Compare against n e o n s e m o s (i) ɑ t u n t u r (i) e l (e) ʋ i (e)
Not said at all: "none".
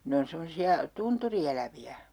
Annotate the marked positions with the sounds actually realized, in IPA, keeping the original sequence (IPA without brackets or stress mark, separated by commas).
i, i, æ, æ